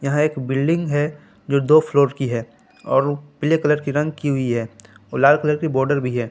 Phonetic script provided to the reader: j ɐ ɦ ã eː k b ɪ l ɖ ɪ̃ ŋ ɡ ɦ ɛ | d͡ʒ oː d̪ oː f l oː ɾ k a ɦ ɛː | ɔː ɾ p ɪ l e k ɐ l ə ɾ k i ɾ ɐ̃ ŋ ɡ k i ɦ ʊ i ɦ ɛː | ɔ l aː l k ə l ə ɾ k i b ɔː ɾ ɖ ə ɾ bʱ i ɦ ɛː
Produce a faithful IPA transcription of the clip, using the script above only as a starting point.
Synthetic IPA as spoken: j ɐ ɦ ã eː k b ɪ l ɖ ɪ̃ ŋ ɡ ɦ ɛ | d͡ʒ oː d̪ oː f l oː ɾ k i ɦ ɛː | ɔː ɾ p ɪ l e k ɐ l ə ɾ k i ɾ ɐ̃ ŋ ɡ k i ɦ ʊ i ɦ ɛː | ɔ l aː l k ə l ə ɾ k i b ɔː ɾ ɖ ə ɾ bʱ i ɦ ɛː